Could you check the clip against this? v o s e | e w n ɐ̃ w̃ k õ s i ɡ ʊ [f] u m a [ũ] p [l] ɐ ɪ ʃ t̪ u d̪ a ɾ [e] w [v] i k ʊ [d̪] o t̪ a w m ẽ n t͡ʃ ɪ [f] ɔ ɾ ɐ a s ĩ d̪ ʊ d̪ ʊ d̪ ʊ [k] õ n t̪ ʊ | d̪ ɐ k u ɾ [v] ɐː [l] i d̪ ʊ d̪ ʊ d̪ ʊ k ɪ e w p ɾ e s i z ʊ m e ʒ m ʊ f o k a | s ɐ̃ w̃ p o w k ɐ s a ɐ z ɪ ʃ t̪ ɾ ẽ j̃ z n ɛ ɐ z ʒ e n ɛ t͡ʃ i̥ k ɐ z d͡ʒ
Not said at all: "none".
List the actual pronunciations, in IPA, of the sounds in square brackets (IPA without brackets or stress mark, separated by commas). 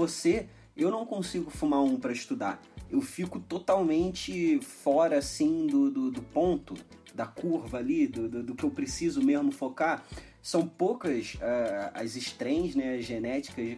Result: f, ũ, ɾ, e, f, t̪, f, p, v, l